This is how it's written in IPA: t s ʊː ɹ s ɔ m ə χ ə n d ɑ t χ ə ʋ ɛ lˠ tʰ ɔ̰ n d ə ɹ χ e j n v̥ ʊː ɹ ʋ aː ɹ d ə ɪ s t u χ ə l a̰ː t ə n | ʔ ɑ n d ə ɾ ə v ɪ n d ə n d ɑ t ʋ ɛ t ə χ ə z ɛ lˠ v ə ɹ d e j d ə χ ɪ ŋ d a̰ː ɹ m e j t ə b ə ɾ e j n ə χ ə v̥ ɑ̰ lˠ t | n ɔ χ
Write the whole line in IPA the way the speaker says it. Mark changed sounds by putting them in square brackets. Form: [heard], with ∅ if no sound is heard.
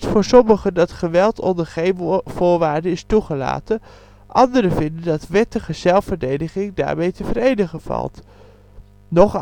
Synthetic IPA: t [f] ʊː ɹ s ɔ m ə χ ə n d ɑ t χ ə ʋ ɛ lˠ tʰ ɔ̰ n d ə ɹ χ e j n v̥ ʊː ɹ ʋ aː ɹ d ə ɪ s t u χ ə l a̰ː t ə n | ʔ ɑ n d ə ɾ ə v ɪ n d ə n d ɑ t ʋ ɛ t ə χ ə z ɛ lˠ [f] ə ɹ d e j d ə χ ɪ ŋ d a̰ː ɹ m e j t ə [v] ə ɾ e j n ə χ ə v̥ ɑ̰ lˠ t | n ɔ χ